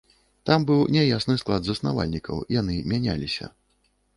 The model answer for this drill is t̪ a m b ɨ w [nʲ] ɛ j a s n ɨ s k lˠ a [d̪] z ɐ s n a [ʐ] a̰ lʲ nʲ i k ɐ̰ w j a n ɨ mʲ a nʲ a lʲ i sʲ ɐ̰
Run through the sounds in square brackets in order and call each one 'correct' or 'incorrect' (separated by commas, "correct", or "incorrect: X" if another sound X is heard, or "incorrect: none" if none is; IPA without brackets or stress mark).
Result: correct, correct, incorrect: v